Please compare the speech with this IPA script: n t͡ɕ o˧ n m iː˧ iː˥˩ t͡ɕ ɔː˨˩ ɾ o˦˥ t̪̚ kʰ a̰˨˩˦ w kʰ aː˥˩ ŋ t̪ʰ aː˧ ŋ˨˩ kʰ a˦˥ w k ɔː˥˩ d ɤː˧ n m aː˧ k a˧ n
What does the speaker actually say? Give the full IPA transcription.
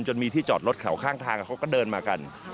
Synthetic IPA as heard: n t͡ɕ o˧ n m iː˧ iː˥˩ t͡ɕ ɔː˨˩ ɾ o˦˥ t̪̚ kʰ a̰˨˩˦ w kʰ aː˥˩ ŋ t̪ʰ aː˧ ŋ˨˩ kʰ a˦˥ w k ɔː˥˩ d ɤː˧ n m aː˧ k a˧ n

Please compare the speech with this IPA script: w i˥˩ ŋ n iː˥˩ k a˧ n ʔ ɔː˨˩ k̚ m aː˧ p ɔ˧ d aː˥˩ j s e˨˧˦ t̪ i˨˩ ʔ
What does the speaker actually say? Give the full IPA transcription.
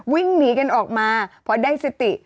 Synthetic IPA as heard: w i˥˩ ŋ n iː˦˥ k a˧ n ʔ ɔː˨˩ k̚ m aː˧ pʰ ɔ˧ d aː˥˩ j s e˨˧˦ t̪ i˨˩ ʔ

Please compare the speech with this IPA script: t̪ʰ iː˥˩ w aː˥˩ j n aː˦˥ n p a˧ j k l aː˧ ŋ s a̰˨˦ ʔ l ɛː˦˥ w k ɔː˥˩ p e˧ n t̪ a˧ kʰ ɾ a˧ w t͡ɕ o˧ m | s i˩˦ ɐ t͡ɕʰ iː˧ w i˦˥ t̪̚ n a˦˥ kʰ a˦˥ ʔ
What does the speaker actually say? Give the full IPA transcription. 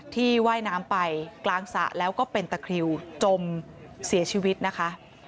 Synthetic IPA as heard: t̪ʰ iː˥˩ w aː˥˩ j n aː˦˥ m p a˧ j k l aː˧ ŋ s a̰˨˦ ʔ l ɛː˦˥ w k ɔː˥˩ p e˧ n t̪ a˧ kʰ ɾ i˧ w t͡ɕ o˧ m | s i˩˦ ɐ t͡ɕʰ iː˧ w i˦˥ t̪̚ n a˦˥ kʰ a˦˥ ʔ

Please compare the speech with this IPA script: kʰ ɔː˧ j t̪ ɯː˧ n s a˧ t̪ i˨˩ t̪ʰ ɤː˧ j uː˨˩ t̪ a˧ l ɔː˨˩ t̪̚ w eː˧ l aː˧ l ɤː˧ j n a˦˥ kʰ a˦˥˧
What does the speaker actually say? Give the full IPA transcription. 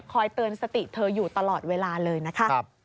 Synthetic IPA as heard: kʰ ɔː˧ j t̪ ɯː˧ n s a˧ t̪ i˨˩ t̪ʰ ɤː˧ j uː˨˩ t̪ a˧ l ɔː˨˩ t̪̚ w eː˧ l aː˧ l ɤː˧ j n a˦˥ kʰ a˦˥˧

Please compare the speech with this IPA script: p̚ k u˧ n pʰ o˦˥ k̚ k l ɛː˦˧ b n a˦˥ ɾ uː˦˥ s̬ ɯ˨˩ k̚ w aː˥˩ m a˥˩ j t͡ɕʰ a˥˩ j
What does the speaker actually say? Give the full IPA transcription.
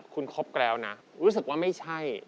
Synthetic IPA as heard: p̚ kʰ u˧ n kʰ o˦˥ p̚ k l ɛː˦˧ w n a˦˥ ɾ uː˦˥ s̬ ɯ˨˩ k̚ w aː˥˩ m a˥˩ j t͡ɕʰ a˥˩ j

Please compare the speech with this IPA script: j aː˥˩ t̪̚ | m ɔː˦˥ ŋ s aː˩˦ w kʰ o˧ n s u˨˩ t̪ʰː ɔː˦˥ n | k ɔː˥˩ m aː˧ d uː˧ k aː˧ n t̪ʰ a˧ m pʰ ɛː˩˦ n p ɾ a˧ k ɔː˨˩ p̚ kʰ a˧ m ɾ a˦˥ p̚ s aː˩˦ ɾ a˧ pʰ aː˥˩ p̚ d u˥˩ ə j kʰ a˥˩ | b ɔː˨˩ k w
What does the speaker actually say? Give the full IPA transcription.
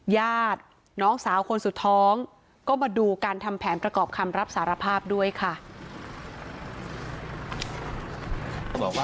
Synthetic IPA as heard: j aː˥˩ t̪̚ | n ɔː˦˥ ŋ s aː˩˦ w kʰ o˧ n s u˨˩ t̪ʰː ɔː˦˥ ŋ | k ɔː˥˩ m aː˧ d uː˧ k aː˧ n t̪ʰ a˧ m pʰ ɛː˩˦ n p ɾ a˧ k ɔː˨˩ p̚ kʰ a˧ m ɾ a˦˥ p̚ s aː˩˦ ɾ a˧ pʰ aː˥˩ p̚ d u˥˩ ə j kʰ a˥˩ | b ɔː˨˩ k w

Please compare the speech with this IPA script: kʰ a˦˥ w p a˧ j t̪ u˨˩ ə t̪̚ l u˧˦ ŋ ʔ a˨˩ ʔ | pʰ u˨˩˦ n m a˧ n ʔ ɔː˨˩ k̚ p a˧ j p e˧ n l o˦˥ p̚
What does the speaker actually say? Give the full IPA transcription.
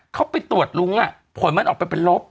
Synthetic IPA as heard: kʰ a˦˥ w p a˧ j t̪ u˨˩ ə t̪̚ l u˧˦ ŋ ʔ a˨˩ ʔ | pʰ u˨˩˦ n m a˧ n ʔ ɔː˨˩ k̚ p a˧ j p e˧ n l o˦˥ p̚

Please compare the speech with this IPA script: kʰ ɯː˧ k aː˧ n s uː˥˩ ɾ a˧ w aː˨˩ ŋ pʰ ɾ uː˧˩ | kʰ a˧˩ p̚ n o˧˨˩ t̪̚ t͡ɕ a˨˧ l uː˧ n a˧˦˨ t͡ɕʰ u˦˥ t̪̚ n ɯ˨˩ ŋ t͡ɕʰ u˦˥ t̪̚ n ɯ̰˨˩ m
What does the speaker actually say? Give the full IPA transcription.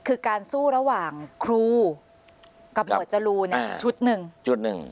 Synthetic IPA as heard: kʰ ɯː˧ k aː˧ n s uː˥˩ ɾ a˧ w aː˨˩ ŋ kʰ ɾ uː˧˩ | k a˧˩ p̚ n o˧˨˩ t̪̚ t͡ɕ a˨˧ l uː˧ n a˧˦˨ t͡ɕʰ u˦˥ t̪̚ n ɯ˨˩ ŋ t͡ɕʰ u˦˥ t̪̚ n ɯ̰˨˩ ŋ

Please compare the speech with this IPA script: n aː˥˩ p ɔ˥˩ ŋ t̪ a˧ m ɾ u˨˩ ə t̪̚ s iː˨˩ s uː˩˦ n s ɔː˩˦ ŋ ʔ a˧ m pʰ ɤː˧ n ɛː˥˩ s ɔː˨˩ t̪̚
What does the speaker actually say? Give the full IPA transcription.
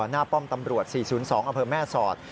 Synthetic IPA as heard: n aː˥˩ p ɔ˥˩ m t̪ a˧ m ɾ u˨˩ ə t̪̚ s iː˨˩ s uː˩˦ n s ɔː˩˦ ŋ ʔ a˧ m pʰ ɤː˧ m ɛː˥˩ s ɔː˨˩ t̪̚

